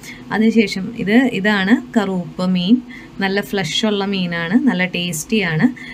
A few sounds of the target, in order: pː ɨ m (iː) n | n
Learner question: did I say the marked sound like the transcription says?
yes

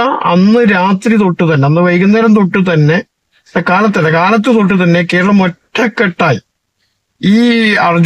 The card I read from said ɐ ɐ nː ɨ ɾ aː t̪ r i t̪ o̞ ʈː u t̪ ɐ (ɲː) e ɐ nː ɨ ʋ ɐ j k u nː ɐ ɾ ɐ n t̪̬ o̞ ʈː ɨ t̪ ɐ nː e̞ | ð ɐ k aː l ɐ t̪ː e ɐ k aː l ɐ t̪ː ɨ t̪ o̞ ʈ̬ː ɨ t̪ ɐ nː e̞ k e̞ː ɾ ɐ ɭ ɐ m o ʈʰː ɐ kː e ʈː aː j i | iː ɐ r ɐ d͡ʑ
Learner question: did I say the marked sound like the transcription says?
no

